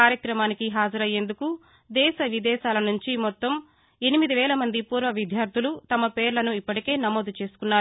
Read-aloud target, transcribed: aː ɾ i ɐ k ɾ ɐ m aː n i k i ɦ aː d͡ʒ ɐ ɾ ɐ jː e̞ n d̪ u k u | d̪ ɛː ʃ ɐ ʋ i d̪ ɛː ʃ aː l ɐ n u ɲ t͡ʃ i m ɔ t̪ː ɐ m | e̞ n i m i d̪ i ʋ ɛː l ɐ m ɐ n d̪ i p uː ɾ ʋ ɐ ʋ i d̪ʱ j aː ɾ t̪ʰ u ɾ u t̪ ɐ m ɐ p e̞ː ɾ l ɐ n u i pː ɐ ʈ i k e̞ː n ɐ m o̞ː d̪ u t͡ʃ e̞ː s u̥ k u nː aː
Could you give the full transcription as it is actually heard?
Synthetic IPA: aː ɾ j ɐ k ɾ ɐ m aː n i k i ɦ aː d͡ʒ ɐ ɾ ɐ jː e̞ n d̪ u k u | d̪ ɛː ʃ ɐ ʋ i d̪ ɛː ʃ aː l ɐ n u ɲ t͡ʃ i m ɔ t̪ː ɐ m | e̞ n i m i d̪ i ʋ ɛː l ɐ m ɐ n d̪ i p uː ɾ ʋ ɐ ʋ i d̪ʱ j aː ɾ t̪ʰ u l u t̪ ɐ m ɐ p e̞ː ɾ l ɐ n u i pː ɐ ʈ i k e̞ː n ɐ m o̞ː d̪ u t͡ʃ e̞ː s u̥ k u nː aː